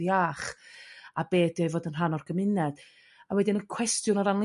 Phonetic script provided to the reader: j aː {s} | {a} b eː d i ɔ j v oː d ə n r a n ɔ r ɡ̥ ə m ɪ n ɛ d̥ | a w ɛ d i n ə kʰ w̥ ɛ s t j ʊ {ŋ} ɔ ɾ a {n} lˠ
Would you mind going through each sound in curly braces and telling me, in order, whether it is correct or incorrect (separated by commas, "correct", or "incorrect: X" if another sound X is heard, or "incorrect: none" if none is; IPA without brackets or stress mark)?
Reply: incorrect: χ, correct, incorrect: n, correct